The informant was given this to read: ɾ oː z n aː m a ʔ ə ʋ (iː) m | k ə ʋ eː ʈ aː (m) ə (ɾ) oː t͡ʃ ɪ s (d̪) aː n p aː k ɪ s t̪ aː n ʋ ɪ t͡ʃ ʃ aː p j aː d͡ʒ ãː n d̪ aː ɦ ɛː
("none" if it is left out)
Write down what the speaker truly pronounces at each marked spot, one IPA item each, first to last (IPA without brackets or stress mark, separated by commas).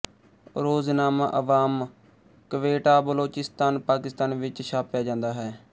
aː, b, l, t̪